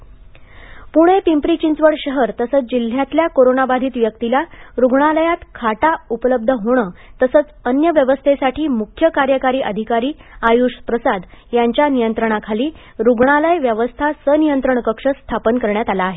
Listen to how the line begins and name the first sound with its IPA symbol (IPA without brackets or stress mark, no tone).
p